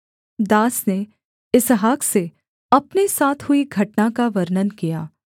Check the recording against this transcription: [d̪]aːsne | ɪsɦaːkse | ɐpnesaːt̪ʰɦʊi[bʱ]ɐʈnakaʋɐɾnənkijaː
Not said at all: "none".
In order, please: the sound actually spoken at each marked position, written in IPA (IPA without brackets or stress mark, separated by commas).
d̪, ɡʱ